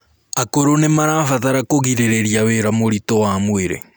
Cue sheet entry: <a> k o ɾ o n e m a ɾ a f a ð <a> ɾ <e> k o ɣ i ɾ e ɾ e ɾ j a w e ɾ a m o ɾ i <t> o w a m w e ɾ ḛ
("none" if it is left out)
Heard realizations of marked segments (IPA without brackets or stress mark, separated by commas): a, a, a, t